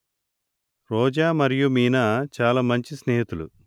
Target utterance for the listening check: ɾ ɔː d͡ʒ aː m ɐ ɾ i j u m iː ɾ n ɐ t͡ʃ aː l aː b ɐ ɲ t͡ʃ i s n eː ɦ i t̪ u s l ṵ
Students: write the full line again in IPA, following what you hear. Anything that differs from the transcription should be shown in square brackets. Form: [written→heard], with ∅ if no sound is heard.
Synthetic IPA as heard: ɾ ɔː d͡ʒ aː m ɐ ɾ i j u m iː [ɾ→∅] n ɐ t͡ʃ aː l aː [b→m] ɐ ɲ t͡ʃ i s n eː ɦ i t̪ u [s→∅] l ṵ